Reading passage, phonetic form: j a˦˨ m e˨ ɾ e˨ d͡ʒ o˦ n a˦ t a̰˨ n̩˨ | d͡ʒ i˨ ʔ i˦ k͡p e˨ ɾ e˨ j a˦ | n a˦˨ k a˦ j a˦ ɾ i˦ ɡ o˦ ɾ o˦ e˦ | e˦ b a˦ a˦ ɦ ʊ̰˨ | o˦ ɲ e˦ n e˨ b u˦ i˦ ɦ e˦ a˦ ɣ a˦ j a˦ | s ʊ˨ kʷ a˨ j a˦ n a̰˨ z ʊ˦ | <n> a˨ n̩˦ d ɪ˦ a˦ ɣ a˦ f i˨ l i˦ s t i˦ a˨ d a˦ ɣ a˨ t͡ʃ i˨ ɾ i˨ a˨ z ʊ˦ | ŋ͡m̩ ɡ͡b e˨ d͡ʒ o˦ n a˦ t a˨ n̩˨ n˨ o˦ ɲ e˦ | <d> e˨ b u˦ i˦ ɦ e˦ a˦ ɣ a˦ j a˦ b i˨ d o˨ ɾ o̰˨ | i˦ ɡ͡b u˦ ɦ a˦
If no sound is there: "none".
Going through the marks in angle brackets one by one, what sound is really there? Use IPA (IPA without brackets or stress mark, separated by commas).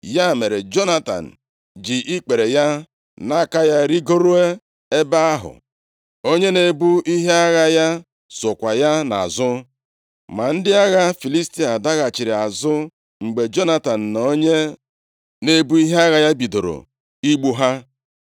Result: m, n